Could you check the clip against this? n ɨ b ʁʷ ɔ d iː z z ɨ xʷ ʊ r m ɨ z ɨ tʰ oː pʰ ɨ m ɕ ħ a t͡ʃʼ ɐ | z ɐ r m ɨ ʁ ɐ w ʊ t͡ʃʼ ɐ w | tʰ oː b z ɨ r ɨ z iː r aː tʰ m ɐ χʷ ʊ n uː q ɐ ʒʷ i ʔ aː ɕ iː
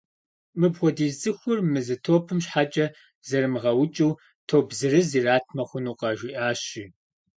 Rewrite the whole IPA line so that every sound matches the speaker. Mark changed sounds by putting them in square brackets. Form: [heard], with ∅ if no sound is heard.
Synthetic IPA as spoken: [m] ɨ b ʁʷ ɔ d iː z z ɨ xʷ ʊ r m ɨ z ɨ tʰ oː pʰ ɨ m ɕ ħ a t͡ʃʼ ɐ | z ɐ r m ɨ ʁ ɐ w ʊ t͡ʃʼ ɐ w | tʰ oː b z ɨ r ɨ z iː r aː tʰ m ɐ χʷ ʊ n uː q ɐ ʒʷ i ʔ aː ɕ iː